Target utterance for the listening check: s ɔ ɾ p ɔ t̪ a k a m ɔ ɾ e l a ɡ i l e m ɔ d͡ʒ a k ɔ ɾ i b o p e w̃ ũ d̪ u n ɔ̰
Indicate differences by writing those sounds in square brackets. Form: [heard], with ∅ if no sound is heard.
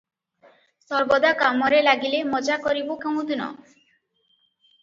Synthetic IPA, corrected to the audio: s ɔ ɾ [b] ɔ [d̪] a k a m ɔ ɾ e l a ɡ i l e m ɔ d͡ʒ a k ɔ ɾ i b o [k] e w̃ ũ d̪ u n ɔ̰